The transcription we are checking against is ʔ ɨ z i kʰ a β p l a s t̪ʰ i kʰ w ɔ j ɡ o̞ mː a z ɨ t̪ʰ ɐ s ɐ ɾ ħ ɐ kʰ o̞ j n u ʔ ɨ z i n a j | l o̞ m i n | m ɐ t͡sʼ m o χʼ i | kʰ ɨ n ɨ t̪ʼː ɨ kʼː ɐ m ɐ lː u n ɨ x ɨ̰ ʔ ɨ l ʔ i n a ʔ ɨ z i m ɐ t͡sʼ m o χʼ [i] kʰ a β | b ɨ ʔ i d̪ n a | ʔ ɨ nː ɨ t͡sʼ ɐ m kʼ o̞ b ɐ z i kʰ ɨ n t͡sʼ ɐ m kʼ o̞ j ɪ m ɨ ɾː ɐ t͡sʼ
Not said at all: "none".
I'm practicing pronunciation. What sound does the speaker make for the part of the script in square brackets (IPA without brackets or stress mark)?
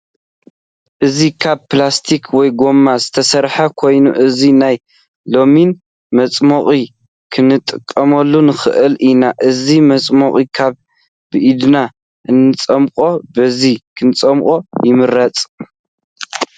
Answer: i